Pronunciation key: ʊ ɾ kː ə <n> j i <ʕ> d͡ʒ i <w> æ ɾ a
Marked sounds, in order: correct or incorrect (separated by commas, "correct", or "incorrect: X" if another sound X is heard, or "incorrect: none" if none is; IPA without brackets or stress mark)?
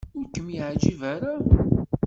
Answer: incorrect: m, correct, incorrect: v